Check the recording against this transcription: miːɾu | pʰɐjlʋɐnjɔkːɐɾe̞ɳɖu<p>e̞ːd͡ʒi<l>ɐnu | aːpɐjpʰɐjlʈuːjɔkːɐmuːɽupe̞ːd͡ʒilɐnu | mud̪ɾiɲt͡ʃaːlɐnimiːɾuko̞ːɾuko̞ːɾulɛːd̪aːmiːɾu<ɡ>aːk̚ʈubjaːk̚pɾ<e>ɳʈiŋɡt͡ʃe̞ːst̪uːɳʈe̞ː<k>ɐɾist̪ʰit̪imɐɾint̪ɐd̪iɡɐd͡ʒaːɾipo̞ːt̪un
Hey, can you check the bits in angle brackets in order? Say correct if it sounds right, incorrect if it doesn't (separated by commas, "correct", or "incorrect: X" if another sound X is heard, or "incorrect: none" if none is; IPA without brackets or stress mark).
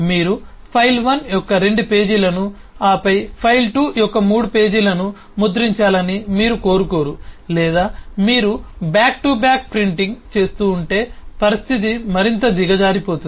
correct, correct, incorrect: b, incorrect: i, incorrect: p